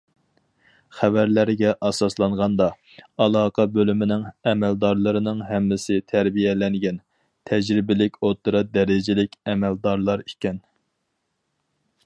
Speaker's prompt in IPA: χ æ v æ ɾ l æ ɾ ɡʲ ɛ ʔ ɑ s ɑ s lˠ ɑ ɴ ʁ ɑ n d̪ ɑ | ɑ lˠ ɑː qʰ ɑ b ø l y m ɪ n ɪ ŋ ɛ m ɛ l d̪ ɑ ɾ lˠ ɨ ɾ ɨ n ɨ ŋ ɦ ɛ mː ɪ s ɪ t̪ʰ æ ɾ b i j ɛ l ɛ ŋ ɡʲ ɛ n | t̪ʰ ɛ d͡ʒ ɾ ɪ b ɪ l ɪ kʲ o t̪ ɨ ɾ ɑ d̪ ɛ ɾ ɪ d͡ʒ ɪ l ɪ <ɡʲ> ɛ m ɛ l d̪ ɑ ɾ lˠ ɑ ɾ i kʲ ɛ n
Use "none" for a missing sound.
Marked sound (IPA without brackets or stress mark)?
kʲ